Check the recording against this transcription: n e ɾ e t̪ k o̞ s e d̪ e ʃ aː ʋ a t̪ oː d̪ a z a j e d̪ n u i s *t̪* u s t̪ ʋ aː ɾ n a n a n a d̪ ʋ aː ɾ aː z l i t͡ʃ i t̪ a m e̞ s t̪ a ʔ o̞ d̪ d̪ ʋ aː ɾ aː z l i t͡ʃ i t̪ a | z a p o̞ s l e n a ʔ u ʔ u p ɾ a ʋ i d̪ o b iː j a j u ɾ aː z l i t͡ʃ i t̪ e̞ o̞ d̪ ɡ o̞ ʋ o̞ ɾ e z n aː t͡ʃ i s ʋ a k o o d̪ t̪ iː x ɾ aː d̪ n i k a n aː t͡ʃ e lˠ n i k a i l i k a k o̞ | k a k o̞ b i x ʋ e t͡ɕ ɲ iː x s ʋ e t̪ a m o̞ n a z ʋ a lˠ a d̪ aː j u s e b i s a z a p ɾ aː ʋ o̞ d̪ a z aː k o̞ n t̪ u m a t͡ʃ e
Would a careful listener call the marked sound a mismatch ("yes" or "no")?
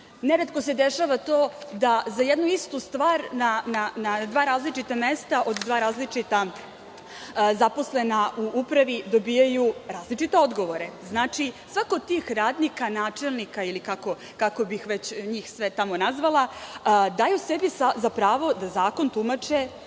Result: no